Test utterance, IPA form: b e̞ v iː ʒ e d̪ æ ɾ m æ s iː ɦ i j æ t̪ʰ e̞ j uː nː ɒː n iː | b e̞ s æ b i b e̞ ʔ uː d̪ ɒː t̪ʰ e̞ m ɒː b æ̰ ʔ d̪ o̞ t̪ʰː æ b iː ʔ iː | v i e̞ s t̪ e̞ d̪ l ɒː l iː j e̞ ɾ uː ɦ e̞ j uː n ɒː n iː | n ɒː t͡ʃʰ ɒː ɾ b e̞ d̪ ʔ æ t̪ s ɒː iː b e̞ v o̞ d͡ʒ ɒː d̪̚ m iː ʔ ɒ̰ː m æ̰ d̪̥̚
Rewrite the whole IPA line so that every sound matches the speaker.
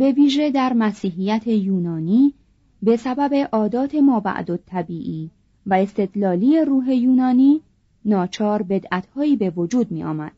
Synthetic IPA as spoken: b e̞ v iː ʒ e d̪ æ ɾ m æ s iː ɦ i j æ t̪ʰ e̞ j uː n ɒː n iː | b e̞ s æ b æ b e̞ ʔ ɒː d̪ ɒː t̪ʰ e̞ m ɒː b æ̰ ʔ d̪ o̞ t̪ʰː æ b iː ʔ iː | v æ e̞ s t̪ e̞ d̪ l ɒː l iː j e̞ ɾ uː ɦ e̞ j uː n ɒː n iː | n ɒː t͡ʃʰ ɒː ɾ b e̞ d̪ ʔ æ t̪ h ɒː iː b e̞ v o̞ d͡ʒ uː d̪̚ m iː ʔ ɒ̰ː m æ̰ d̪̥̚